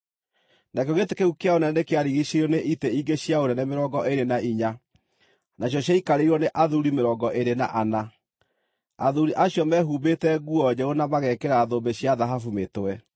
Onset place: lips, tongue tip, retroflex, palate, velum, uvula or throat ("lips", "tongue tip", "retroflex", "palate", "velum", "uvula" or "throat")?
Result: tongue tip